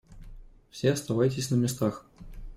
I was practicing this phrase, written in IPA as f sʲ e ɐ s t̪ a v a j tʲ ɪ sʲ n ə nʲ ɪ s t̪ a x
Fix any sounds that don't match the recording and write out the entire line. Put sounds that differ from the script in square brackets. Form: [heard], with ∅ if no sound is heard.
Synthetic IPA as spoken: f sʲ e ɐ s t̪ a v a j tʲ ɪ sʲ n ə [mʲ] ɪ s t̪ a x